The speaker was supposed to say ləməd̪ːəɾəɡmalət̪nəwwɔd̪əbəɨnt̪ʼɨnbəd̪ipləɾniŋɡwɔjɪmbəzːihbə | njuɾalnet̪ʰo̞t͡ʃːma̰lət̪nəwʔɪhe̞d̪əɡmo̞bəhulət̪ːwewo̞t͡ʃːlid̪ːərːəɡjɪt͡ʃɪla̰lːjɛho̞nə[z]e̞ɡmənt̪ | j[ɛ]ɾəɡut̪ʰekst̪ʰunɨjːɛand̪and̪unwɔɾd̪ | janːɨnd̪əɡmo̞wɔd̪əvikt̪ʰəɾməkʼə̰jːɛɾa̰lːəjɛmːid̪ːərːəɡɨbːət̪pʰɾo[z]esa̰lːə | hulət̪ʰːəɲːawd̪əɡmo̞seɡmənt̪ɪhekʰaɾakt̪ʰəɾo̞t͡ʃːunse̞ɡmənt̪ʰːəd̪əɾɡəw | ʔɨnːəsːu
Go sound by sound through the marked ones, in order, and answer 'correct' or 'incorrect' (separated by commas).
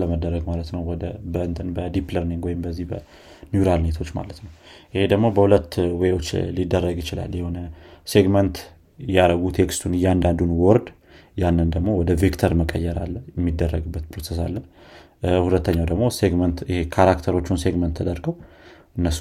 incorrect, incorrect, incorrect